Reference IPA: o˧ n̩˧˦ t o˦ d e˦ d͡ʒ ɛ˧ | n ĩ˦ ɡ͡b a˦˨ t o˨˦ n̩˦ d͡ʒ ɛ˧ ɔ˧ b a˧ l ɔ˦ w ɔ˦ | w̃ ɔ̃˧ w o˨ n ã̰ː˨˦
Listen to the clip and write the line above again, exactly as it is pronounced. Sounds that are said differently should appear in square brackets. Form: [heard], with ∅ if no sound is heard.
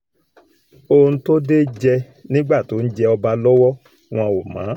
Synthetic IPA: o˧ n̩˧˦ t o˦ d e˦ d͡ʒ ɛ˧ | n ĩ˦ ɡ͡b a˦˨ t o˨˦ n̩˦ d͡ʒ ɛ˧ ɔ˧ b a˧ l ɔ˦ w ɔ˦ | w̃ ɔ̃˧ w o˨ [m] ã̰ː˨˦